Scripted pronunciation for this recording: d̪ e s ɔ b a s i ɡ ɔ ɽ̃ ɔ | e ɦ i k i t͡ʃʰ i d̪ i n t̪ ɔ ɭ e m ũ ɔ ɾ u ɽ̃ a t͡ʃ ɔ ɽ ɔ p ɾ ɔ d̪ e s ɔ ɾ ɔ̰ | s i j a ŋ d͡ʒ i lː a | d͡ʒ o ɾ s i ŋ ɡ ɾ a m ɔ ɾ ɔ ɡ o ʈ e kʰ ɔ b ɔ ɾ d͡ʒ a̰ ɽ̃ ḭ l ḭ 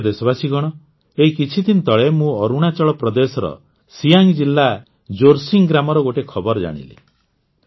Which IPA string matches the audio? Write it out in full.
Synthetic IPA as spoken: d̪ e s ɔ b a s i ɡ ɔ ɽ̃ ɔ | e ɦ i k i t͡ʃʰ i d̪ i n t̪ ɔ ɭ e m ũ ɔ ɾ u ɽ̃ a t͡ʃ ɔ ɭ ɔ p ɾ ɔ d̪ e s ɔ ɾ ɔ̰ | s i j a ŋ d͡ʒ i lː a | d͡ʒ o ɾ s i ŋ ɡ ɾ a m ɔ ɾ ɔ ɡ o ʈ e kʰ ɔ b ɔ ɾ d͡ʒ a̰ ɽ̃ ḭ l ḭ

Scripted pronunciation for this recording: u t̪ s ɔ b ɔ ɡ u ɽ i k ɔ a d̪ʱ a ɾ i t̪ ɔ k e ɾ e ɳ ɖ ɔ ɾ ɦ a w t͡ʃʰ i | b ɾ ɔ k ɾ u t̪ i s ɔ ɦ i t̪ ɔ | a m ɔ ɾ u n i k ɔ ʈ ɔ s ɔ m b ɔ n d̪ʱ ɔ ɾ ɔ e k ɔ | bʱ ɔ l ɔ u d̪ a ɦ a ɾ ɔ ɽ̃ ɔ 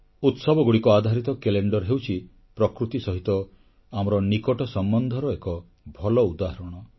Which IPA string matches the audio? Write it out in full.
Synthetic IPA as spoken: u t̪ s ɔ b ɔ ɡ u ɽ i k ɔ a d̪ʱ a ɾ i t̪ ɔ k e l e ɳ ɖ ɔ ɾ ɦ e w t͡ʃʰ i | p ɾ ɔ k ɾ u t̪ i s ɔ ɦ i t̪ ɔ | a m ɔ ɾ ɔ n i k ɔ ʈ ɔ s ɔ m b ɔ n d̪ʱ ɔ ɾ ɔ e k ɔ | bʱ ɔ l ɔ u d̪ a ɦ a ɾ ɔ ɽ̃ ɔ

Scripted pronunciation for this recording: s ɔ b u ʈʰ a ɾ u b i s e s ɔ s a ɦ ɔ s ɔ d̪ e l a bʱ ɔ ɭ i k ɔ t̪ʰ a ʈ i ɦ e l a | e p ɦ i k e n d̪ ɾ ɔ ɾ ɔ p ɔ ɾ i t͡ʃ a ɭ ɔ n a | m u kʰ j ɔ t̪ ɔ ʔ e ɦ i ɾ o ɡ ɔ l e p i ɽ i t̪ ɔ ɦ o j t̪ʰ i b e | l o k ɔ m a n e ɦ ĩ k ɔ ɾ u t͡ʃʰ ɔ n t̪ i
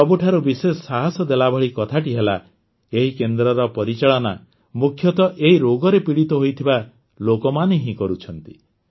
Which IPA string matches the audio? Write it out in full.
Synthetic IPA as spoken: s ɔ b u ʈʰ a ɾ u b i s e s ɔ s a ɦ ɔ s ɔ d̪ e l a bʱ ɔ ɭ i k ɔ t̪ʰ a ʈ i ɦ e l a | e ɦ i k e n d̪ ɾ ɔ ɾ ɔ p ɔ ɾ i t͡ʃ a ɭ ɔ n a | m u kʰ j ɔ t̪ ɔ ʔ e ɦ i ɾ o ɡ ɔ ɾ e p i ɽ i t̪ ɔ ɦ o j t̪ʰ i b a | l o k ɔ m a n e ɦ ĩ k ɔ ɾ u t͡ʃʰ ɔ n t̪ i

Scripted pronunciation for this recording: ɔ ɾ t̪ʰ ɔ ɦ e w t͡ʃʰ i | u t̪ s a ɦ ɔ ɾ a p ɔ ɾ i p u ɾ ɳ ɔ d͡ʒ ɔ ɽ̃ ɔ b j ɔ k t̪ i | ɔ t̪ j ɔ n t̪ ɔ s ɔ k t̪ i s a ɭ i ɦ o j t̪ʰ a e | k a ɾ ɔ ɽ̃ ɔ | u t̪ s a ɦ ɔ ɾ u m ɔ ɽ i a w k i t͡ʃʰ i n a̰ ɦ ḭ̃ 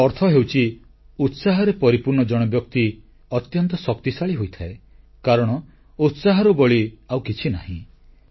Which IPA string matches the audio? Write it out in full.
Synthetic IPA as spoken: ɔ ɾ t̪ʰ ɔ ɦ e w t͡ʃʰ i | u t̪ s a ɦ ɔ ɾ e p ɔ ɾ i p u ɾ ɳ ɔ d͡ʒ ɔ ɽ̃ ɔ b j ɔ k t̪ i | ɔ t̪ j ɔ n t̪ ɔ s ɔ k t̪ i s a ɭ i ɦ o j t̪ʰ a e | k a ɾ ɔ ɽ̃ ɔ | u t̪ s a ɦ ɔ ɾ u b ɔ ɭ i a w k i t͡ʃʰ i n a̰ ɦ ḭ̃

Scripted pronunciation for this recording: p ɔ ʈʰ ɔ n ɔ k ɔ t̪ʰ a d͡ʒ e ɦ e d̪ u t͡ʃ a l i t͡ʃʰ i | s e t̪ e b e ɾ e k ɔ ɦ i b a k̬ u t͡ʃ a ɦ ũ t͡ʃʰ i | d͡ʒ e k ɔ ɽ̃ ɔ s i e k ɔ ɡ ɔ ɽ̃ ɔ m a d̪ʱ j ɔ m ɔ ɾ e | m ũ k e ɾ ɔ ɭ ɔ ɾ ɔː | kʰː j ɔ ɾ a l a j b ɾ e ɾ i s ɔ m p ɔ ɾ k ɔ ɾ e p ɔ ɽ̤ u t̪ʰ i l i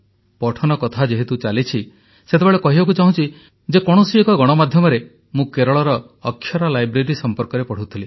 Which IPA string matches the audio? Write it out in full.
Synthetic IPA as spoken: p ɔ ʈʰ ɔ n ɔ k ɔ t̪ʰ a d͡ʒ e ɦ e t̪ u t͡ʃ a l i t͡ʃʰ i | s e t̪ e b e ɭ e k ɔ ɦ i b a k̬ u t͡ʃ a ɦ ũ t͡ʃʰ i | d͡ʒ e k ɔ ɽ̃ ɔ s i e k ɔ ɡ ɔ ɽ̃ ɔ m a d̪ʱ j ɔ m ɔ ɾ e | m ũ k e ɾ ɔ ɭ ɔ ɾ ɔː | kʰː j ɔ ɾ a l a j b ɾ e ɾ i s ɔ m p ɔ ɾ k ɔ ɾ e p ɔ ɽ̤ u t̪ʰ i l i

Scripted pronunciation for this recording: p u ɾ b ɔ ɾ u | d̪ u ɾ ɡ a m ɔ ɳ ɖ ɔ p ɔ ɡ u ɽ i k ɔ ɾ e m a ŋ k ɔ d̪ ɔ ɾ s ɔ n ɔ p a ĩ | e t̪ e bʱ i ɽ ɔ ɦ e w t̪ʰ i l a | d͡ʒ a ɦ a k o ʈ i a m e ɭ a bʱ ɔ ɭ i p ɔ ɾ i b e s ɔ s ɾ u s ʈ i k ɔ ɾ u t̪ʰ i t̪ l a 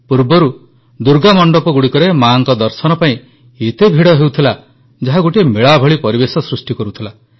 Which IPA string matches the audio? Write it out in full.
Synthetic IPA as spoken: p u ɾ b ɔ ɾ u | d̪ u ɾ ɡ a m ɔ ɳ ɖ ɔ p ɔ ɡ u ɽ i k ɔ ɾ e m a ŋ k ɔ d̪ ɔ ɾ s ɔ n ɔ p a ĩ | e t̪ e bʱ i ɽ ɔ ɦ e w t̪ʰ i l a | d͡ʒ a ɦ a ɡ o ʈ i e m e ɭ a bʱ ɔ ɭ i p ɔ ɾ i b e s ɔ s ɾ u s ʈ i k ɔ ɾ u t̪ʰ i l a

